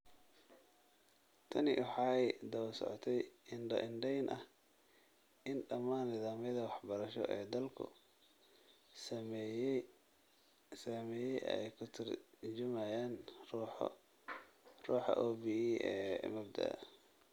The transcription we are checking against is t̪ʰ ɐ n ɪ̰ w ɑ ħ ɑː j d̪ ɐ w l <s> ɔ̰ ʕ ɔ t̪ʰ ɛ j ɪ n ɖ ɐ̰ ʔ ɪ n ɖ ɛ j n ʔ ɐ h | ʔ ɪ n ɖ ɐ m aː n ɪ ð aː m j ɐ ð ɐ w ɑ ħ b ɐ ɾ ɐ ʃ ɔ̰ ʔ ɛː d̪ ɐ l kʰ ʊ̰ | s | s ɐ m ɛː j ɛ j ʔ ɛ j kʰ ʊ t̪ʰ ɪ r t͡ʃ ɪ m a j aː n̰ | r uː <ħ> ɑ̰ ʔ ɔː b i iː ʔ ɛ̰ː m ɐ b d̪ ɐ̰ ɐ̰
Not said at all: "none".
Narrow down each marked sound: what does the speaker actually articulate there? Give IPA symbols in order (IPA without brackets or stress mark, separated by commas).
s, ħ